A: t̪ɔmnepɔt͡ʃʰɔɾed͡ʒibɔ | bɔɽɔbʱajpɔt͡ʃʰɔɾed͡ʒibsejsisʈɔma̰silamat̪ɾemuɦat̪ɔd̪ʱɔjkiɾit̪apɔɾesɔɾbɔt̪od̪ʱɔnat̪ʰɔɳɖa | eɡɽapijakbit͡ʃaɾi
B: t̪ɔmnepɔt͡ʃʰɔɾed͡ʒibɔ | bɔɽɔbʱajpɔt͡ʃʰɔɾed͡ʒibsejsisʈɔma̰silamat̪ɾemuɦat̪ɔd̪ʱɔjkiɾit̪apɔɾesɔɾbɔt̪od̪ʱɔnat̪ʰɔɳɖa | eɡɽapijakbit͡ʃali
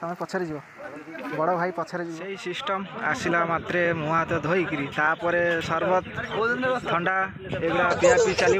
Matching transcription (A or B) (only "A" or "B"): B